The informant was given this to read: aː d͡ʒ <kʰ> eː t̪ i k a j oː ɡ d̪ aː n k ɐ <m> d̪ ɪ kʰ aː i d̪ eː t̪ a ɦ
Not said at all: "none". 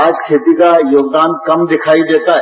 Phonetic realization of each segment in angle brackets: kʰ, m

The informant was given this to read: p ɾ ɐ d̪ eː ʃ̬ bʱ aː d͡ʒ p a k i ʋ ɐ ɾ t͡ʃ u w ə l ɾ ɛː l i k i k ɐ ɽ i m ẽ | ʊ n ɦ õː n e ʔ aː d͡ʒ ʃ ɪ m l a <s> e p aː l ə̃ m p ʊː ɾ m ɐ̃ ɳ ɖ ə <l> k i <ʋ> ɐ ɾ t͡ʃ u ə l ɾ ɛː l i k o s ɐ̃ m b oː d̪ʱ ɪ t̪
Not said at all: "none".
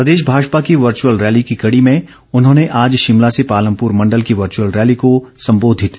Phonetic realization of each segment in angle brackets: s, l, ʋ

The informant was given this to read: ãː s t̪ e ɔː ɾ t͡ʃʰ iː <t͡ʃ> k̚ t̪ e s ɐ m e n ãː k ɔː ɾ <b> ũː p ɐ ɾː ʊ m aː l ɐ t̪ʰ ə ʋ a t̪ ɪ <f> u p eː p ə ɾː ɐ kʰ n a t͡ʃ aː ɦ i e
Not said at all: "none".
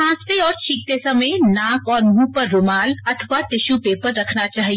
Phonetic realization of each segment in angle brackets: none, m, ʃ

